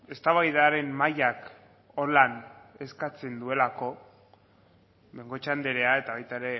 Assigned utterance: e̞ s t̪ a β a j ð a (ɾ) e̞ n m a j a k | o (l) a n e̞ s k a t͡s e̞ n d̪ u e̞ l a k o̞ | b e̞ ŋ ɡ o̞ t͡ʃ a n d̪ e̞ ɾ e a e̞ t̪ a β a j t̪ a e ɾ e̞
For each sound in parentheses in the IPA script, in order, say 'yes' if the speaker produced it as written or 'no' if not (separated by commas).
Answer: yes, yes